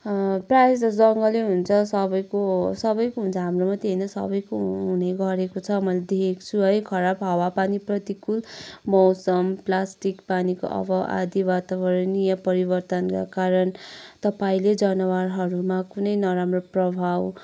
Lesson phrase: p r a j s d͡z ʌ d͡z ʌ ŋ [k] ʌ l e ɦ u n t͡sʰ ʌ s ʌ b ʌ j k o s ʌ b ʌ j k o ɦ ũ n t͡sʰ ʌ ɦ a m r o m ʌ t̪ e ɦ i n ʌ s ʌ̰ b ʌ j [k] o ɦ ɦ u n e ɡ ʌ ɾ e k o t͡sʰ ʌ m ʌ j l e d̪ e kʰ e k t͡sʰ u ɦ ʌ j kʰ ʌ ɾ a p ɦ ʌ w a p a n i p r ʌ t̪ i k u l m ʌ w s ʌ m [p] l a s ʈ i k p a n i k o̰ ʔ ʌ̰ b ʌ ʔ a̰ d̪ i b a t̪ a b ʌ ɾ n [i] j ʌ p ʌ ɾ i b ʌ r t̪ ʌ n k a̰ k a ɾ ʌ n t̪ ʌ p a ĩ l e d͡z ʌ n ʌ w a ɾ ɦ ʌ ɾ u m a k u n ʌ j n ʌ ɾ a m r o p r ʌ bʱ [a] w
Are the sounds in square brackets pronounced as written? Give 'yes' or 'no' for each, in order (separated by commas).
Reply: no, yes, yes, yes, yes